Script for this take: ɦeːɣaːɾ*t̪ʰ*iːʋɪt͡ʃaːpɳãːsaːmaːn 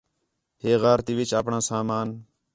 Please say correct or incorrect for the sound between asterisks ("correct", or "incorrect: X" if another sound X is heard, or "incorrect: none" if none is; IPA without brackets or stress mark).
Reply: incorrect: t̪